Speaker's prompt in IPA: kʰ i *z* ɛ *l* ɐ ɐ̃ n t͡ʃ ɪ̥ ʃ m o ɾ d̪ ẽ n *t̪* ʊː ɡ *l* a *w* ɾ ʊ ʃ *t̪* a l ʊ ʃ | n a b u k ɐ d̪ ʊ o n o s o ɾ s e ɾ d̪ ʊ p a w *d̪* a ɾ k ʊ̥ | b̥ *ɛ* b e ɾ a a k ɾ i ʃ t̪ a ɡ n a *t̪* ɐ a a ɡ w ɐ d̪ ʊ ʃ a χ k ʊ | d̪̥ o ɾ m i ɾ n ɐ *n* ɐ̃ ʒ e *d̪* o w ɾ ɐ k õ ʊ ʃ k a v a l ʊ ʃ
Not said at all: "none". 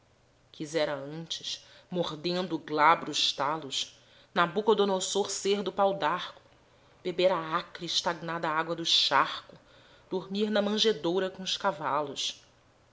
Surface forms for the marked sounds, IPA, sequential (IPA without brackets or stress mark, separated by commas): z, ɾ, d̪, l, b, t̪, d̪, e, d̪, m, d̪